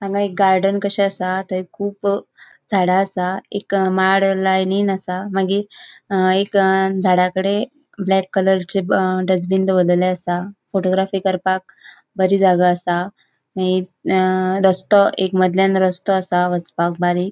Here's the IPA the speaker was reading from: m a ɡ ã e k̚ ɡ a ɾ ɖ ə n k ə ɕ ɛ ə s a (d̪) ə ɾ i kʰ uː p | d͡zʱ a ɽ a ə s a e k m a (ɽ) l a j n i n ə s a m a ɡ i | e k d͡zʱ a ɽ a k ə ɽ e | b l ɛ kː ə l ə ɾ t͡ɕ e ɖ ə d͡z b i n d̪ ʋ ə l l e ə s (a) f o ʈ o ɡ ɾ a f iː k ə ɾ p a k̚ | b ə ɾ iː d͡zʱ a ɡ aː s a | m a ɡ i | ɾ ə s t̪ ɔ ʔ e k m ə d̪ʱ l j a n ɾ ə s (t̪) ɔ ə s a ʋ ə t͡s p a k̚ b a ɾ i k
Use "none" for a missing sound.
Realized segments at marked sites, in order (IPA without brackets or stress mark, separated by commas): t̪, ɽ, a, t̪